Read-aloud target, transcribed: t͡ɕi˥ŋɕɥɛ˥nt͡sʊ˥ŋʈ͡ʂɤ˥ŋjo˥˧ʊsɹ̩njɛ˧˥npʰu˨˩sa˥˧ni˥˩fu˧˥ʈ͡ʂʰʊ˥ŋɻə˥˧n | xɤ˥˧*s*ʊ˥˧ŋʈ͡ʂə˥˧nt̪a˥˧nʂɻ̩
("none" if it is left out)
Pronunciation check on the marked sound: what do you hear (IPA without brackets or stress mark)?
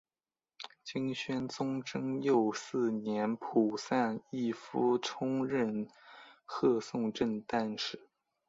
s